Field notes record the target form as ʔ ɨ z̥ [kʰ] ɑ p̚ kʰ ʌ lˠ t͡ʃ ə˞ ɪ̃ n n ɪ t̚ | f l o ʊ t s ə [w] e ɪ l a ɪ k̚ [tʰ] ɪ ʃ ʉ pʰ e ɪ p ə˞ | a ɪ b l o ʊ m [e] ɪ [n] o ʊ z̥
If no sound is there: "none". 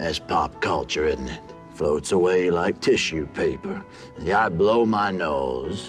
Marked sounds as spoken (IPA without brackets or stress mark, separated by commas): pʰ, w, tʰ, a, n